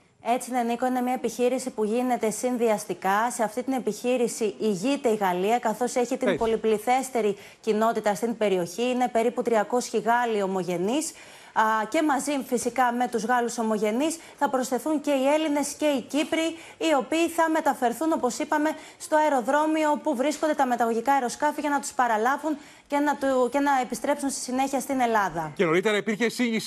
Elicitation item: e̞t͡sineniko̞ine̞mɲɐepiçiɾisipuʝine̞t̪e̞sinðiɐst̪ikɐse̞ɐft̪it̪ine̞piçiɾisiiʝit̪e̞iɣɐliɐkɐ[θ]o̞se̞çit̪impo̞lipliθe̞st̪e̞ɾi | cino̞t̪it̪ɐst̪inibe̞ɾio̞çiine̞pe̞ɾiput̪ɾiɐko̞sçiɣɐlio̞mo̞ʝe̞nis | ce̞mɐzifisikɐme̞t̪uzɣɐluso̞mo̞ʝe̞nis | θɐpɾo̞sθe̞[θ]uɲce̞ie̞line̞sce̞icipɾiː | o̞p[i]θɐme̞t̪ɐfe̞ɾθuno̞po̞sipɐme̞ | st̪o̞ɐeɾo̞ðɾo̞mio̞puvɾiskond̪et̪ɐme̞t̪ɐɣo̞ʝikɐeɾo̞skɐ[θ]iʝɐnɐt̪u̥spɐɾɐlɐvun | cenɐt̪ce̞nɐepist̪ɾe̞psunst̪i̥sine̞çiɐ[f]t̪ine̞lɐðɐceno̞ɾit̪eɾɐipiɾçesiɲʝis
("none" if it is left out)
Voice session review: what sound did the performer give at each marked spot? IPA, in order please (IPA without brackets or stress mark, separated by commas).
θ, θ, iː, f, s